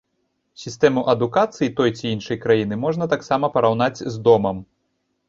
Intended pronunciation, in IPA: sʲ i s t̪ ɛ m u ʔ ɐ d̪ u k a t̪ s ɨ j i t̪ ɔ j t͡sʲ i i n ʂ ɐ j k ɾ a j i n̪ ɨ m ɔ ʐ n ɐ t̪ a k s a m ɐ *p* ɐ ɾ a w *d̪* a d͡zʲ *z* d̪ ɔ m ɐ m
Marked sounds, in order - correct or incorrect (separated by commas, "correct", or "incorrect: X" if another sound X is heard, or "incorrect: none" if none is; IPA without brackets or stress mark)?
correct, incorrect: n̪, correct